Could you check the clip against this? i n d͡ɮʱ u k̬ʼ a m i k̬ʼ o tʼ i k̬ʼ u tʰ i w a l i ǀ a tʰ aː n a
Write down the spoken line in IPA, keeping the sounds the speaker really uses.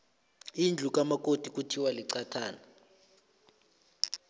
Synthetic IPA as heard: i n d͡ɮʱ u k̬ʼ a m a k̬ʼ o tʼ i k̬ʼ u tʰ i w a l i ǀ a tʰ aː n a